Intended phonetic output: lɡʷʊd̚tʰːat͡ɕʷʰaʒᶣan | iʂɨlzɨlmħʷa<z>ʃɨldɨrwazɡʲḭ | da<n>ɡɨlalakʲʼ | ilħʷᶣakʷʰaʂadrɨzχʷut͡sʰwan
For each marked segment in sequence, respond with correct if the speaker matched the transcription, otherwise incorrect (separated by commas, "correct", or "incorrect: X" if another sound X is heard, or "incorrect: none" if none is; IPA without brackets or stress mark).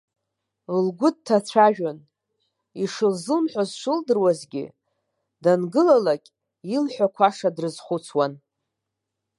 correct, correct